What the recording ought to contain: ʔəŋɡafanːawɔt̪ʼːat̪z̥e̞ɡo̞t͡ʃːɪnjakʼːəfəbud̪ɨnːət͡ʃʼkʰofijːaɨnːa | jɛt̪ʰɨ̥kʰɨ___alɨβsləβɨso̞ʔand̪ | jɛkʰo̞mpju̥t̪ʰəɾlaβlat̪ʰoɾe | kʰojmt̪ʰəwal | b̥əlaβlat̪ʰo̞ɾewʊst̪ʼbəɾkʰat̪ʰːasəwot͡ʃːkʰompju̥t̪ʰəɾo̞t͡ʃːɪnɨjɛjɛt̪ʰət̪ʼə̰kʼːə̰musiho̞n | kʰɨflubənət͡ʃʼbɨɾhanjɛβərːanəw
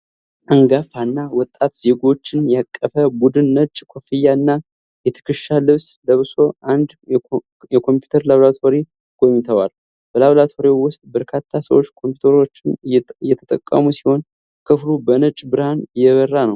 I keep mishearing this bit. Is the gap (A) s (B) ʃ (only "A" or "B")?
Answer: B